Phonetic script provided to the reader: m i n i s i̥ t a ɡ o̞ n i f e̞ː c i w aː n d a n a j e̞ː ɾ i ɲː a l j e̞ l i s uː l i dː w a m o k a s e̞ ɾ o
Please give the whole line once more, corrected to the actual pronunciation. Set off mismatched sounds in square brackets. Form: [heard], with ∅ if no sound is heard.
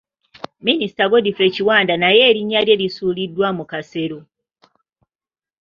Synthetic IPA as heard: m i n i s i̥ t a ɡ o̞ [d] i f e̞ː c i w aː n d a n a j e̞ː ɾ i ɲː a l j e̞ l i s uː l i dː w a m [u] k a s e̞ ɾ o